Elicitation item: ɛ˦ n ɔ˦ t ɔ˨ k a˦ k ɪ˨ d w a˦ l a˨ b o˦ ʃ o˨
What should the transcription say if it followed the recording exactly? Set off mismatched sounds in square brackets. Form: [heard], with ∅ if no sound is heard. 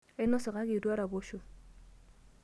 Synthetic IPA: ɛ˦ n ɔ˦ [s] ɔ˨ k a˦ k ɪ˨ d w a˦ [ɾ] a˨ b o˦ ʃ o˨